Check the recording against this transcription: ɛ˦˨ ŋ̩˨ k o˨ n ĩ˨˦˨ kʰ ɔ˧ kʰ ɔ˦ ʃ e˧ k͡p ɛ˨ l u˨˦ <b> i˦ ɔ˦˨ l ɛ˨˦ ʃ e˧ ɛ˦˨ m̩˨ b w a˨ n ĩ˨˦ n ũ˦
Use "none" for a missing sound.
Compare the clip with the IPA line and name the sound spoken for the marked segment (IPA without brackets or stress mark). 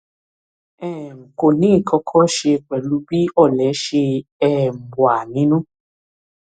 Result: b